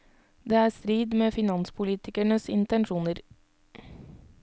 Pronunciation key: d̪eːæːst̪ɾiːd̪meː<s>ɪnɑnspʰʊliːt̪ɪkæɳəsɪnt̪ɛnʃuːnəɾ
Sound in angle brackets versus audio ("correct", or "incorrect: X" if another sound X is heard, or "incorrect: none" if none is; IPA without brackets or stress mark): incorrect: f